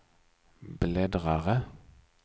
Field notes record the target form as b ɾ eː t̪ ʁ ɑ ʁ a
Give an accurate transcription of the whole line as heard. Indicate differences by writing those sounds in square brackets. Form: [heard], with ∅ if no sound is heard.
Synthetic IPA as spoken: b [l] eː [d̪] ʁ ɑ ʁ [ə]